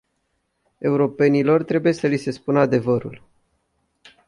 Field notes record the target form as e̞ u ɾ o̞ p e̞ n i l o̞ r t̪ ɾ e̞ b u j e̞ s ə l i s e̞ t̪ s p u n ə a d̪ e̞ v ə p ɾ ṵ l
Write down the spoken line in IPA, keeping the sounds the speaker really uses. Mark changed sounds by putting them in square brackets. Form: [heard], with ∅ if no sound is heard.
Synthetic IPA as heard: e̞ u ɾ o̞ p e̞ n i l o̞ r t̪ ɾ e̞ b u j e̞ s ə l i s e̞ [∅] s p u n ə a d̪ e̞ v ə [∅] ɾ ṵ l